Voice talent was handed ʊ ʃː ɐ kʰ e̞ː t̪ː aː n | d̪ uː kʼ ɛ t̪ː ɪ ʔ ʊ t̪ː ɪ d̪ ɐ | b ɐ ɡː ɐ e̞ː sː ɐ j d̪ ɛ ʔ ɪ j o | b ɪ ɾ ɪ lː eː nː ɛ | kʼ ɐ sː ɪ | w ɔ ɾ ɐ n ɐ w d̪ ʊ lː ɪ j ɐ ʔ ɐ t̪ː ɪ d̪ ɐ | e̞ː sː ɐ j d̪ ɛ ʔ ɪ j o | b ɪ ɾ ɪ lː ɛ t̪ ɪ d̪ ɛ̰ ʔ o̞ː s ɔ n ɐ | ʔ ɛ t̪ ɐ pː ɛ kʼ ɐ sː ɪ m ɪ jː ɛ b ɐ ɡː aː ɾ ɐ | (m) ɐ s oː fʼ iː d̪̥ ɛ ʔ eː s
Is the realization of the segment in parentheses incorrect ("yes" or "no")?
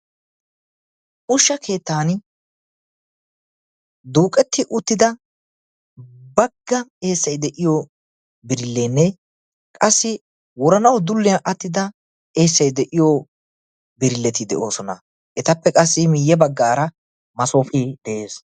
no